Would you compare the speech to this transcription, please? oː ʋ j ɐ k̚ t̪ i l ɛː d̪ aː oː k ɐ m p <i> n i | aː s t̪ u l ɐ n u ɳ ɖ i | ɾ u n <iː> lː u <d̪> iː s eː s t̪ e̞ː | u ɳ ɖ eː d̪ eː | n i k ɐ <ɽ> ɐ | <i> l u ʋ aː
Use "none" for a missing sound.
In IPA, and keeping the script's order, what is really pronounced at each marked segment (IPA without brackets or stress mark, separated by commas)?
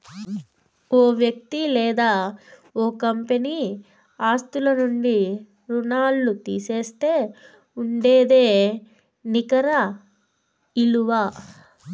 e, aː, t̪, ɾ, i